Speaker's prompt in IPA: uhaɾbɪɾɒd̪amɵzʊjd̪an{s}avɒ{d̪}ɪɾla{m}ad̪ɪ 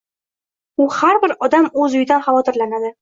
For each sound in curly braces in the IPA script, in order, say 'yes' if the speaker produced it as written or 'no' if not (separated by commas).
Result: no, no, no